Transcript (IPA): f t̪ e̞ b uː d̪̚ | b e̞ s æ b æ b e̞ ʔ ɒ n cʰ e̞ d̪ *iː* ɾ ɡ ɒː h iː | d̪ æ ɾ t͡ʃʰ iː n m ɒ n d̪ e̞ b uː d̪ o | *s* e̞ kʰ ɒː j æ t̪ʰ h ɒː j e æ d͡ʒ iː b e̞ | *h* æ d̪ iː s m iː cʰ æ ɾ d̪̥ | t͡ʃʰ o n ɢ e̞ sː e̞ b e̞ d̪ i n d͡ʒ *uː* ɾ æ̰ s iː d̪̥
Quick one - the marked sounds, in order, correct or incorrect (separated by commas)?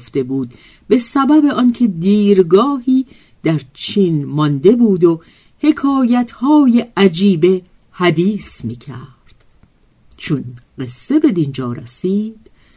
correct, incorrect, correct, incorrect